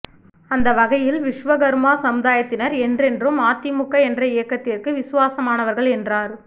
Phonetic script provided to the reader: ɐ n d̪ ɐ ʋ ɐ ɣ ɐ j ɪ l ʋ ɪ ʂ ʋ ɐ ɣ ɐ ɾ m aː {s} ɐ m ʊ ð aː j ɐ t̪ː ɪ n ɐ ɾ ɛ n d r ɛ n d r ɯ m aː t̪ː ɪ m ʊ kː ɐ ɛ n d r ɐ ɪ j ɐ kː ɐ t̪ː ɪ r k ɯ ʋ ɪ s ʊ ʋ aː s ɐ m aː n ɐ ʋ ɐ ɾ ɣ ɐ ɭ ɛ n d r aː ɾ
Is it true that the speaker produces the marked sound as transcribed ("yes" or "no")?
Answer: yes